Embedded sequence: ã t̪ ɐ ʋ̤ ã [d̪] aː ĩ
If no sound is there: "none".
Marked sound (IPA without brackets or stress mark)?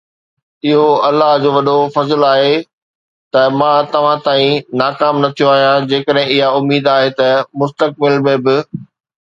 t̪